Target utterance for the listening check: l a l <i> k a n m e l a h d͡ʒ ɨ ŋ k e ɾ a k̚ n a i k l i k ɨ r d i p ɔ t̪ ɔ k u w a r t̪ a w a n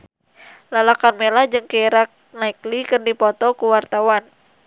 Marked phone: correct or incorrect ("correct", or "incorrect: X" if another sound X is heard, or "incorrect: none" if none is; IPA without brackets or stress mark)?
incorrect: a